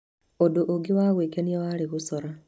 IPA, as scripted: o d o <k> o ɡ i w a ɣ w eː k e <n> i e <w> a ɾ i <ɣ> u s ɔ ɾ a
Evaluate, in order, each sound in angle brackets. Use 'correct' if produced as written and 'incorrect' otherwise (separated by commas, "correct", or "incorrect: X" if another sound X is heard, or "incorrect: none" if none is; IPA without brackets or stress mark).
incorrect: ʔ, correct, correct, correct